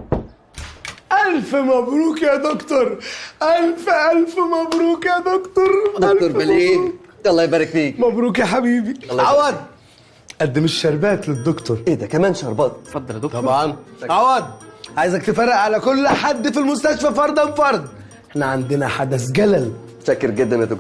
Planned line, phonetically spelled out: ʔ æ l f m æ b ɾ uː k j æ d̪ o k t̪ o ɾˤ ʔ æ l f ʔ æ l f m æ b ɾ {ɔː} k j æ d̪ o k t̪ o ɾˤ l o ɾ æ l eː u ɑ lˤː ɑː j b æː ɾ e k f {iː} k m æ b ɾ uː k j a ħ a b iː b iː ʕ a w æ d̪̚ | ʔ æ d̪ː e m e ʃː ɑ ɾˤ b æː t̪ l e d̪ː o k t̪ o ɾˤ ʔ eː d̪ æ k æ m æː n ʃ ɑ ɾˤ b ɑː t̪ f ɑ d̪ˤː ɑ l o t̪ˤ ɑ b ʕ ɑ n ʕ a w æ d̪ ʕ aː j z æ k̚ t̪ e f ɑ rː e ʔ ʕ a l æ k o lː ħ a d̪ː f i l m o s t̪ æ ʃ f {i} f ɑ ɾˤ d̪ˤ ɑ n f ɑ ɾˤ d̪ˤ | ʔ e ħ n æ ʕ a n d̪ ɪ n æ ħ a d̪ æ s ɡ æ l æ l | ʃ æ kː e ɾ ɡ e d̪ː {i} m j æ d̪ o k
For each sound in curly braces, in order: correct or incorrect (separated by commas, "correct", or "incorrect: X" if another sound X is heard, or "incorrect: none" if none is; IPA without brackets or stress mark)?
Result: incorrect: uː, correct, incorrect: æ, incorrect: æ